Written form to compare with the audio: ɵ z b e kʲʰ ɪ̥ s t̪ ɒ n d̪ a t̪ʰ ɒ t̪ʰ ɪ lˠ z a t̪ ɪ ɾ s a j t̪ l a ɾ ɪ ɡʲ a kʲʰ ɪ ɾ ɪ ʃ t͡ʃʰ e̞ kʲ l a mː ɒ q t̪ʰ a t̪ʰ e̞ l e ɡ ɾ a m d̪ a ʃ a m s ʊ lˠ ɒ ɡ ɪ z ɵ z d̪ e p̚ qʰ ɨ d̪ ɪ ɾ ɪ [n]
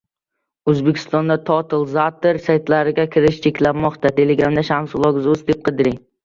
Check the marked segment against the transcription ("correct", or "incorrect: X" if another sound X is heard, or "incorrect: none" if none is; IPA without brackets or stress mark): incorrect: ŋ